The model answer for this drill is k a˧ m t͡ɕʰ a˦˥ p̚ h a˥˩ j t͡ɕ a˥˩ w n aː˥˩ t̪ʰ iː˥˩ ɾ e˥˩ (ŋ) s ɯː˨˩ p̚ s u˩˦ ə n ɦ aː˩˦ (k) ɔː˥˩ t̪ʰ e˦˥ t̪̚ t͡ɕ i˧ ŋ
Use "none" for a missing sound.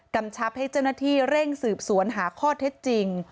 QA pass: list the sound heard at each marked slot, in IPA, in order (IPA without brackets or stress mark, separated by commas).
ŋ, kʰ